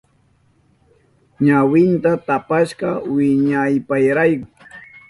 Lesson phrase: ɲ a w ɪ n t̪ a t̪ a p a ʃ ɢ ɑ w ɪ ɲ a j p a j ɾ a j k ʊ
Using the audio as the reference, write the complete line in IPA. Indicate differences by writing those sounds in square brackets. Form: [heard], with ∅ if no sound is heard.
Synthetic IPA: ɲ a w ɪ n t̪ a t̪ a p a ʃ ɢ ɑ w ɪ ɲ a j p a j ɾ a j k ʊ